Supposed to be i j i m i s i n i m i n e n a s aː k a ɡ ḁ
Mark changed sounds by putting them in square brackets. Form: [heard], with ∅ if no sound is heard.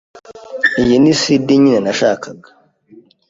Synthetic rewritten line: i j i [n] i s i [d] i [ɲ] i n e n a [ʃ] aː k a ɡ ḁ